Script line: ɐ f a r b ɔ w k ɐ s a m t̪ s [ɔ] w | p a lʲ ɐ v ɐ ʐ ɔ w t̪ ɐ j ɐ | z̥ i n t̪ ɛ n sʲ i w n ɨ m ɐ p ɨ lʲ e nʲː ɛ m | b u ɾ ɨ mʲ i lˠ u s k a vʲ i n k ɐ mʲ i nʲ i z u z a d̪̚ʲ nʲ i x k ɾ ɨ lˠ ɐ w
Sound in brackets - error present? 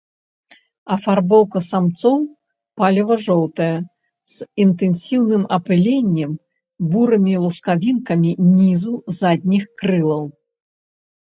no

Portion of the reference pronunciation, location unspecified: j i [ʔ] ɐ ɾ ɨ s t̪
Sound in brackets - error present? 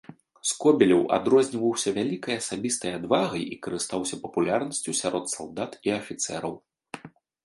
yes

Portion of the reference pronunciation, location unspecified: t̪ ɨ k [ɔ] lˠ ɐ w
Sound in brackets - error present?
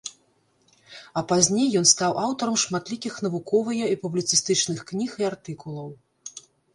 yes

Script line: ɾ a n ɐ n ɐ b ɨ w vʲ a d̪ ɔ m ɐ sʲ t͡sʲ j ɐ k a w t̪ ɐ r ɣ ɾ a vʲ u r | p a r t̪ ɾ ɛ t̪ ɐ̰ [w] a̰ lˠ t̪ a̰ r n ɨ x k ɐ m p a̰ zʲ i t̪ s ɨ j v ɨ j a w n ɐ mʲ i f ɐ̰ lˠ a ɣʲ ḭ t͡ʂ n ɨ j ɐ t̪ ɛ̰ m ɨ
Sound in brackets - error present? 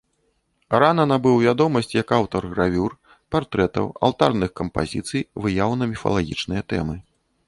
no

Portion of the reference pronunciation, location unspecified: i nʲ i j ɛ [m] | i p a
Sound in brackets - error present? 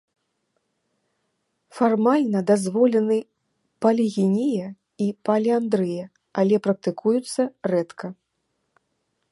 yes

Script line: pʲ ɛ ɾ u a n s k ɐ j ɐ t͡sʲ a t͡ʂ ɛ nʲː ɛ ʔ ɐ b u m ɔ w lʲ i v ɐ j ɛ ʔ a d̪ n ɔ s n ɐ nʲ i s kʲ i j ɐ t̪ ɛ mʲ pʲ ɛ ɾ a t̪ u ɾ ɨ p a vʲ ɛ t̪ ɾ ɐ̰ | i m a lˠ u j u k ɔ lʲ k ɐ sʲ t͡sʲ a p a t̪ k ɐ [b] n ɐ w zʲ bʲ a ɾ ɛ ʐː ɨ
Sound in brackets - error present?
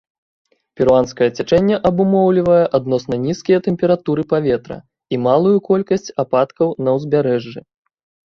yes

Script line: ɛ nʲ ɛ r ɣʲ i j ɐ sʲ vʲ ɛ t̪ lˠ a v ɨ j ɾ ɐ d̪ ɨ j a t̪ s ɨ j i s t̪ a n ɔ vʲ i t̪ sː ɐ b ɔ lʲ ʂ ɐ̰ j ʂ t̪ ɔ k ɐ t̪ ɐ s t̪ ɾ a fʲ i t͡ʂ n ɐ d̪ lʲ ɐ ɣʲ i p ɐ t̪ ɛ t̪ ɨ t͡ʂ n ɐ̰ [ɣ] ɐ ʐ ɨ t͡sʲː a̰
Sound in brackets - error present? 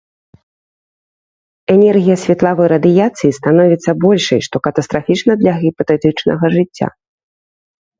no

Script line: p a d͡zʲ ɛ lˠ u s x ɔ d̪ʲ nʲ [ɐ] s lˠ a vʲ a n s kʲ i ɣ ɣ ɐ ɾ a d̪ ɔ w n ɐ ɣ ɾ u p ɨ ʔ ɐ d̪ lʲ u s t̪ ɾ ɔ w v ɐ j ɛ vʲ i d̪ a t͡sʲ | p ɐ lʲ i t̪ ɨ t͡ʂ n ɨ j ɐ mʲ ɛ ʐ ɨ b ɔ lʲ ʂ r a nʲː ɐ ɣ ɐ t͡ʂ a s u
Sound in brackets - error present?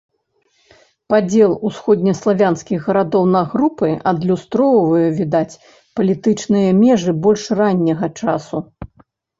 no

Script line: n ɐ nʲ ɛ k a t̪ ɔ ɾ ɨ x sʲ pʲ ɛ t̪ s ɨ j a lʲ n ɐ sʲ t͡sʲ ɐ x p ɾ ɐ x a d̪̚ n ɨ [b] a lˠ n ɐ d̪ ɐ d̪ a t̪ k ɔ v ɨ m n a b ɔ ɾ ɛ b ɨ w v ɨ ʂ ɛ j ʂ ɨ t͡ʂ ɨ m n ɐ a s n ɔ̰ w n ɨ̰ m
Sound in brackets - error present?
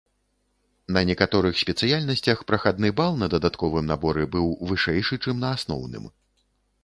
no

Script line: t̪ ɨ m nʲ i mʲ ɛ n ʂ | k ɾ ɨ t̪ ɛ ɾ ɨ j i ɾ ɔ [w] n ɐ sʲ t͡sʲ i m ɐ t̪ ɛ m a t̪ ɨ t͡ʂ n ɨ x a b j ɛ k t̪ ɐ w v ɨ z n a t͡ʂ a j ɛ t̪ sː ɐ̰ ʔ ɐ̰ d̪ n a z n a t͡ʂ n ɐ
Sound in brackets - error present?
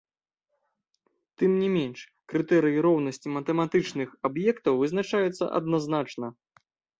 no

